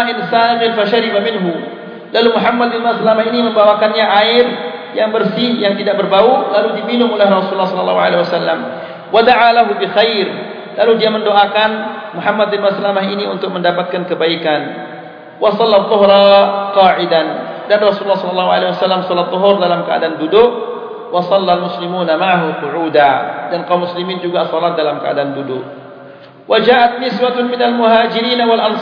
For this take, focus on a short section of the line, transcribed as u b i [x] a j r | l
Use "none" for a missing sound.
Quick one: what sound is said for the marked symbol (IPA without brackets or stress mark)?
x